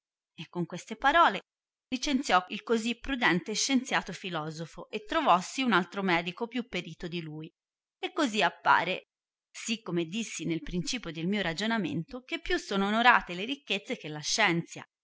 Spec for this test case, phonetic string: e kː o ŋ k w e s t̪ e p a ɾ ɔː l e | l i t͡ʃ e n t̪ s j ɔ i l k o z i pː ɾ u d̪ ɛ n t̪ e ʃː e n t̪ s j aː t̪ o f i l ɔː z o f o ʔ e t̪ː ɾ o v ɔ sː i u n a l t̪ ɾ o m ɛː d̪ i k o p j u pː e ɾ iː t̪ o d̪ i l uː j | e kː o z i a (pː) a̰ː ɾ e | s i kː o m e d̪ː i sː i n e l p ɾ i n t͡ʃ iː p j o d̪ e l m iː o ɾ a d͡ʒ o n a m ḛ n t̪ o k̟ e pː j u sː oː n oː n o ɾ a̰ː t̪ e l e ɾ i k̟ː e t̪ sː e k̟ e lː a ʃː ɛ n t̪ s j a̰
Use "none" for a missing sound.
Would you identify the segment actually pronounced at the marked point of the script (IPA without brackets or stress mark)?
pː